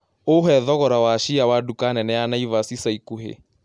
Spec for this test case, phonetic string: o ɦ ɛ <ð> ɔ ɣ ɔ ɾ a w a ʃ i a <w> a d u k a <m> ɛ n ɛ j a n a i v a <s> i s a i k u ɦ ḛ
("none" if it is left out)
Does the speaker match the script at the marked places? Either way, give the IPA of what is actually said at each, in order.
ð, w, n, s

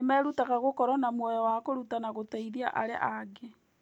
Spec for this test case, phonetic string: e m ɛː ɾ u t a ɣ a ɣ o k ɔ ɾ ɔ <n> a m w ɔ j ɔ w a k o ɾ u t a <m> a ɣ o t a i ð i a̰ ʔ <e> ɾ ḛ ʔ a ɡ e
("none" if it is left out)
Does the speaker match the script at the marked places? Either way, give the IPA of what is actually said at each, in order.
n, n, a

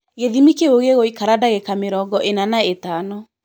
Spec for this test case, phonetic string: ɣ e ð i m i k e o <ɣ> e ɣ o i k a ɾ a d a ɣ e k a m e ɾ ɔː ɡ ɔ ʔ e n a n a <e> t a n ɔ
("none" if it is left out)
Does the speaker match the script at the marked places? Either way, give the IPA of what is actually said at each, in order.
ɣ, e

